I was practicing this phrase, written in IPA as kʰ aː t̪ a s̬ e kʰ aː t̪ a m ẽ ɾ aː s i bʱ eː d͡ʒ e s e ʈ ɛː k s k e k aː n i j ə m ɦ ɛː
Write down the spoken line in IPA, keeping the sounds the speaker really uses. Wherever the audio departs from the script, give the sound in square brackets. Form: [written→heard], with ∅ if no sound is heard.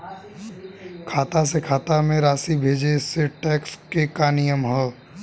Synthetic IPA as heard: kʰ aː t̪ a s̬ e kʰ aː t̪ a m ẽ ɾ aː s i bʱ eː d͡ʒ e s e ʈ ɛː k s k e k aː n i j ə m ɦ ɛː